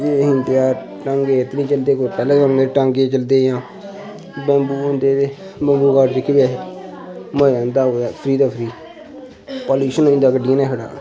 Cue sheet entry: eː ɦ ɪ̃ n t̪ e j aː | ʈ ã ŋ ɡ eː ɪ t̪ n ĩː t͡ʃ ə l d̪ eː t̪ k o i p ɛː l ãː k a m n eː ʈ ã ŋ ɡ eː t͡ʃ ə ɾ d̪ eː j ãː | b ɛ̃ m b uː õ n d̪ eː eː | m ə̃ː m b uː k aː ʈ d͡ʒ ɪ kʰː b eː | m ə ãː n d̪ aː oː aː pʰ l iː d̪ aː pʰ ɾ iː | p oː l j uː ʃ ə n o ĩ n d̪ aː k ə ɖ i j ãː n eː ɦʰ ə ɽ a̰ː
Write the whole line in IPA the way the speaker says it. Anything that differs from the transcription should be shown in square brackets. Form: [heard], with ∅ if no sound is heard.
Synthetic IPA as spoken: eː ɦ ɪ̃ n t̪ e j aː | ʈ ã ŋ ɡ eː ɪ t̪ n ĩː t͡ʃ ə l d̪ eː [∅] k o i p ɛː l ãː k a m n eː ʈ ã ŋ ɡ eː t͡ʃ ə [l] d̪ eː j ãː | b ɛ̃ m b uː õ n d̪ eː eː | [b] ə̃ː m b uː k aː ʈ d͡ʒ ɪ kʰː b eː | m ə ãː n d̪ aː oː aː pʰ [ɾ] iː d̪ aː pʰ ɾ iː | p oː l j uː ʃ ə n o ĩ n d̪ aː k ə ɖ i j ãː n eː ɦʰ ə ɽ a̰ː